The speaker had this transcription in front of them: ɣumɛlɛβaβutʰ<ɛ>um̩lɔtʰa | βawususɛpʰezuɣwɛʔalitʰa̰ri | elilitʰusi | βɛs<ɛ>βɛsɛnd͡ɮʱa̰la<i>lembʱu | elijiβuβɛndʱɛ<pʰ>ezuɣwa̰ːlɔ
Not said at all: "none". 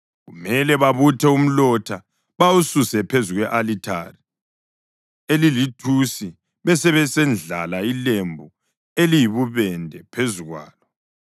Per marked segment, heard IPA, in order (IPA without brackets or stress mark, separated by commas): ɛ, ɛ, i, pʰ